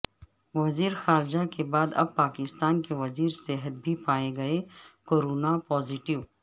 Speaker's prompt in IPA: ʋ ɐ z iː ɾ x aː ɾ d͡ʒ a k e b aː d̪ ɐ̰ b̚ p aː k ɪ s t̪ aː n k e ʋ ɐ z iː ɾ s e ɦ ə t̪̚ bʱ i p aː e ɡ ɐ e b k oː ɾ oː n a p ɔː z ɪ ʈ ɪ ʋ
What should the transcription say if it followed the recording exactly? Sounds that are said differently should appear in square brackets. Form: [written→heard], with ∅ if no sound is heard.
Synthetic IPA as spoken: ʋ ɐ z iː ɾ x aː ɾ d͡ʒ a k e b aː d̪ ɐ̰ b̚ p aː k ɪ s t̪ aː n k e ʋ ɐ z iː ɾ s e ɦ ə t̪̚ bʱ i p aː e ɡ ɐ e [b→∅] k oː ɾ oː n a p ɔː z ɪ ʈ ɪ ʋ